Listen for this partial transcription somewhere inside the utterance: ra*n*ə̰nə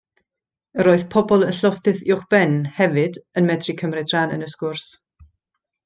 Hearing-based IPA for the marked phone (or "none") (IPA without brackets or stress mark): n